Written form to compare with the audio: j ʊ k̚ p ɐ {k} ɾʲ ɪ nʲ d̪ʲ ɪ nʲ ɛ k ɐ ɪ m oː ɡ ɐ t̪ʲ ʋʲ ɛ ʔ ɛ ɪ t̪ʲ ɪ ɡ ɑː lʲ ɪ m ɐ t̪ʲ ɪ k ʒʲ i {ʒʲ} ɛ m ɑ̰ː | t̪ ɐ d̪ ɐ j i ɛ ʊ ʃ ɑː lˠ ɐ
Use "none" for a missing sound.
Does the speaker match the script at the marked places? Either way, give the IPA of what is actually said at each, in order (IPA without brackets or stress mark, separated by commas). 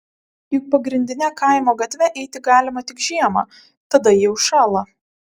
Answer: ɡ, none